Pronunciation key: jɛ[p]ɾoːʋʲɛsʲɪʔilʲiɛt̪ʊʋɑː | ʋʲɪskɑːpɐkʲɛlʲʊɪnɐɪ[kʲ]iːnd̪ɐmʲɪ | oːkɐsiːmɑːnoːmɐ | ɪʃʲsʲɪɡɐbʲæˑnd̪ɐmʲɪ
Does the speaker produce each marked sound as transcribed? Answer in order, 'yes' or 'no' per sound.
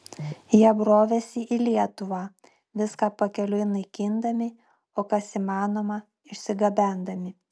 no, yes

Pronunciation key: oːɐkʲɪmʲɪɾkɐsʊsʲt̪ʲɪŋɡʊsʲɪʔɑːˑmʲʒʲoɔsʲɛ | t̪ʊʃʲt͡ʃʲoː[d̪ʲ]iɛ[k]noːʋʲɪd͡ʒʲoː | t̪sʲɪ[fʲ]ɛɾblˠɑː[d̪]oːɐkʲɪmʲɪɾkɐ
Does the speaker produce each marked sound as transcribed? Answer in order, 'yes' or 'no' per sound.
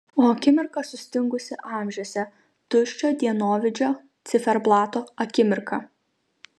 yes, no, yes, no

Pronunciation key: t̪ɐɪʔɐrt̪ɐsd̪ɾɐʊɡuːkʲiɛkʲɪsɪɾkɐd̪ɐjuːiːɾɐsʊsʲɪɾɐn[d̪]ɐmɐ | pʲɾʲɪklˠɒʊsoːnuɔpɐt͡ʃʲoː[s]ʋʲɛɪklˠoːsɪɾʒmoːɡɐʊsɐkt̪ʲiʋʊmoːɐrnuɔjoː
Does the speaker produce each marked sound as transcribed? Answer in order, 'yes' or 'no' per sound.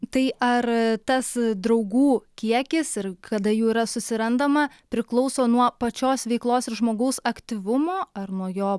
yes, yes

